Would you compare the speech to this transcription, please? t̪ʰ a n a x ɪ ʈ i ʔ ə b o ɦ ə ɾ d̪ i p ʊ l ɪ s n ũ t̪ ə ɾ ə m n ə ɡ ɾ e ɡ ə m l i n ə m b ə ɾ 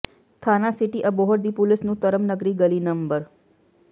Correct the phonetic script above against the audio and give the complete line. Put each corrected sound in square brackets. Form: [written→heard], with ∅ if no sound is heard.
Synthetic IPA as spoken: t̪ʰ a n a [x→s] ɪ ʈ i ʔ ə b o ɦ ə ɾ d̪ i p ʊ l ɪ s n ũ t̪ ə ɾ ə m n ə ɡ ɾ [e→i] ɡ ə [m→∅] l i n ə m b ə ɾ